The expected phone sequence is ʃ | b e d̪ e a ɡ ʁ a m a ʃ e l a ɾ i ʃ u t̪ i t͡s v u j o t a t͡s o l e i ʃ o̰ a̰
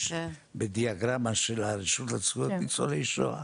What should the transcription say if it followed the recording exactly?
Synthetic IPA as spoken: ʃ | b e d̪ i a ɡ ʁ a m a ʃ e l a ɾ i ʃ u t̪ a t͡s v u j o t i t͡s o l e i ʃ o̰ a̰